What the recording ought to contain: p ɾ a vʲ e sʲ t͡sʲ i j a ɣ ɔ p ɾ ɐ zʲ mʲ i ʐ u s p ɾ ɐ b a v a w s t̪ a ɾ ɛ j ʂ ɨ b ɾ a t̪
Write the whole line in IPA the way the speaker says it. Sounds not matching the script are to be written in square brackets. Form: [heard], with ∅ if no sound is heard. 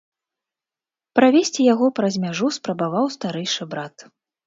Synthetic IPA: p ɾ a vʲ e sʲ t͡sʲ i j a ɣ ɔ p ɾ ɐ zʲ mʲ [a] ʐ u s p ɾ ɐ b a v a w s t̪ a ɾ ɛ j ʂ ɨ b ɾ a t̪